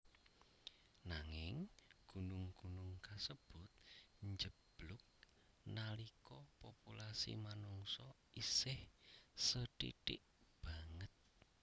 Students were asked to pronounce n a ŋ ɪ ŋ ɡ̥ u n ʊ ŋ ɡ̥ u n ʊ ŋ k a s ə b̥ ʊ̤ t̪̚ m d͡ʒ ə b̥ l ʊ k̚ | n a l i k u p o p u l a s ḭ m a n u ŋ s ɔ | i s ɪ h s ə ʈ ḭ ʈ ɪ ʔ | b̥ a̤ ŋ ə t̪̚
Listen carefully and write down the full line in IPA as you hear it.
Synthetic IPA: n a ŋ ɪ ŋ ɡ̥ u n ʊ ŋ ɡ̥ u n ʊ ŋ k a s ə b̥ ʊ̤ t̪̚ ɲ d͡ʒ ə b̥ l ʊ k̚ | n a l i k ɔ p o p u l a s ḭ m a n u ŋ s ɔ | i s ɪ h s ə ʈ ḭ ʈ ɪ ʔ | b̥ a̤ ŋ ə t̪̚